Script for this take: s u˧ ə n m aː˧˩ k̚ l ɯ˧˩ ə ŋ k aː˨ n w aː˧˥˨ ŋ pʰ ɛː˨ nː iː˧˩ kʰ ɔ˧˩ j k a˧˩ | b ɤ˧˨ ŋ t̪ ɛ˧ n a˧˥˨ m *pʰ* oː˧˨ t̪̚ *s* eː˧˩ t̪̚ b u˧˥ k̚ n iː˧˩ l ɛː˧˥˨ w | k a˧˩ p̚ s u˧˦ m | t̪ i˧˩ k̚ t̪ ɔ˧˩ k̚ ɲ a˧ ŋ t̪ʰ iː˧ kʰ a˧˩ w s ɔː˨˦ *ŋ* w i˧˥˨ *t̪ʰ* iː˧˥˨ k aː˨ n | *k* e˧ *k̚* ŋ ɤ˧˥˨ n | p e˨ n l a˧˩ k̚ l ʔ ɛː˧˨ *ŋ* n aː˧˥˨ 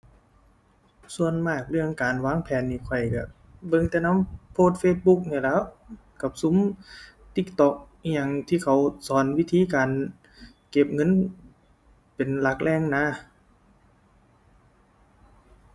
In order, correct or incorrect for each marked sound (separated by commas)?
correct, incorrect, incorrect, correct, correct, incorrect, correct